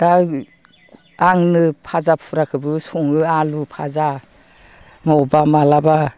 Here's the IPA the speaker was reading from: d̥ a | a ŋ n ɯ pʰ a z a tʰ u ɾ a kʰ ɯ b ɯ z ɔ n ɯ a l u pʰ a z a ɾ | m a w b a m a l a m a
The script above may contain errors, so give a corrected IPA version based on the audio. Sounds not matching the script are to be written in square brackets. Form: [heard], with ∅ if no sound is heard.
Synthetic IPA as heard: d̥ a | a ŋ n ɯ pʰ a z a [pʰ] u ɾ a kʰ ɯ b ɯ [s] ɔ [ŋ] ɯ a l u pʰ a z a [∅] | m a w b a m a l a [b] a